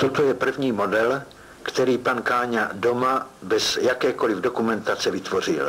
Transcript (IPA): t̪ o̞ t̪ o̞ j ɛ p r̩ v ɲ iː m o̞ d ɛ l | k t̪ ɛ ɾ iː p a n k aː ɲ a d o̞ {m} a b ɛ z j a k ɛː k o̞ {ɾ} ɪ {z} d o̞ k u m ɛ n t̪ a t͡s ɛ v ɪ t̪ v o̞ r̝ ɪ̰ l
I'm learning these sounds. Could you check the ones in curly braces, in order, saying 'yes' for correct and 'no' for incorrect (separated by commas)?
yes, no, no